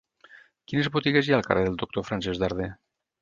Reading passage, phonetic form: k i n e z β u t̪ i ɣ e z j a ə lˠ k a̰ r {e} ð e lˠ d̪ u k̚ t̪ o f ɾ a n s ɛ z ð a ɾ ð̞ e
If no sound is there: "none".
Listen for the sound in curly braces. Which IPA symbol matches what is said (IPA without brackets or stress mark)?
e